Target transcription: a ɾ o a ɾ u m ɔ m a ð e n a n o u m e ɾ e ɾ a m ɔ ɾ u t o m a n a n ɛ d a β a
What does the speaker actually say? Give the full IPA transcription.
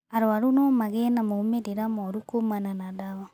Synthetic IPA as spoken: a ɾ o a ɾ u n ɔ m a ɣ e n a m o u m e ɾ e ɾ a m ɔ ɾ u k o m a n a n a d a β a